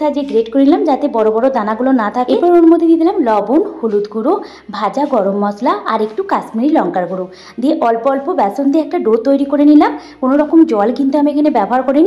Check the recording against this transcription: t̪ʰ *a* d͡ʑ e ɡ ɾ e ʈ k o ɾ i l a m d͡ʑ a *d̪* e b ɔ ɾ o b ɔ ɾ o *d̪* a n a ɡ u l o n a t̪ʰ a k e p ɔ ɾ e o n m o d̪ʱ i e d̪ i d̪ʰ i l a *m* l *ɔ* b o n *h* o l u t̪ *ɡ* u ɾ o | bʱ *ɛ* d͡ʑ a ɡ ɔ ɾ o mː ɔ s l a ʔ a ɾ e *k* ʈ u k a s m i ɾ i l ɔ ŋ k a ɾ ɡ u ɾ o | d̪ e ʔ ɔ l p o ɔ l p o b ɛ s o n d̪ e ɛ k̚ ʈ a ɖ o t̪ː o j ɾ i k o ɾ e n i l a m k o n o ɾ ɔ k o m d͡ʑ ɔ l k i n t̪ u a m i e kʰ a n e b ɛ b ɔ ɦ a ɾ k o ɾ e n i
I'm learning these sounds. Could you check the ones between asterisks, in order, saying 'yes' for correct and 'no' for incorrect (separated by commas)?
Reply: yes, no, yes, yes, yes, yes, yes, no, yes